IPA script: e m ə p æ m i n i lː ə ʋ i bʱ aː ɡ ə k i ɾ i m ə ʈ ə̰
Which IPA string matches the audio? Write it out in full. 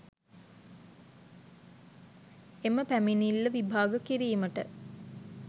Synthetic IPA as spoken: e m ə p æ m i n i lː ə ʋ i bʱ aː ɡ ə k i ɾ iː m ə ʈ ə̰

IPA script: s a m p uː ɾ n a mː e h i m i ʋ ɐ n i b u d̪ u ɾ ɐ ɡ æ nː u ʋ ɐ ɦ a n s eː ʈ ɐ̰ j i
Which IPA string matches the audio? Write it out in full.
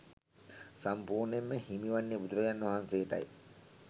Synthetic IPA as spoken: s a m p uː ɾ n e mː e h i m i ʋ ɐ nː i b u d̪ u ɾ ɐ ɡ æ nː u ʋ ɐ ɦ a n s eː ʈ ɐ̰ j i

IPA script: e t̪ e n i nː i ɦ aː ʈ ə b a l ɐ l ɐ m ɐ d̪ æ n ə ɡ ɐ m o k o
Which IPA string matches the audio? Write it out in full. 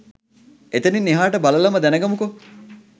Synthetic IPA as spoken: e t̪ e n i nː i ɦ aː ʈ ə b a l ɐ l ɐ m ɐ d̪ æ n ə ɡ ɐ m u k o

